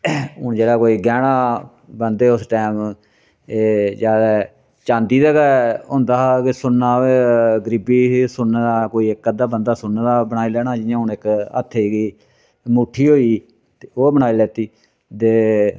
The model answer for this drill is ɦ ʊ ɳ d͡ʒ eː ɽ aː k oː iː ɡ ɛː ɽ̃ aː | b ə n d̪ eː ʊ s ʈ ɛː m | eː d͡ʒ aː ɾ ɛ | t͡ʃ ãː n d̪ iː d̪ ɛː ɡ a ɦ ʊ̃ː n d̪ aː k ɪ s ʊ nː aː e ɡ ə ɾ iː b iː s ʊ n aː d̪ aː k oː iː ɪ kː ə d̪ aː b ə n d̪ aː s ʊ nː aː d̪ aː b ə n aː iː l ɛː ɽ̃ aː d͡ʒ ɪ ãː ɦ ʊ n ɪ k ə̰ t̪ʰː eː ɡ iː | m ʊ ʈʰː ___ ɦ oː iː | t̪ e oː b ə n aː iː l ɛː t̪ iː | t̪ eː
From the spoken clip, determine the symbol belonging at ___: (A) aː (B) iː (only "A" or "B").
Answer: B